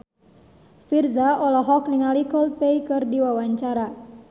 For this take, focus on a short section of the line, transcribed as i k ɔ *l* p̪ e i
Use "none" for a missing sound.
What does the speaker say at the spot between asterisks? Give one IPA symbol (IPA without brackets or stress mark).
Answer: l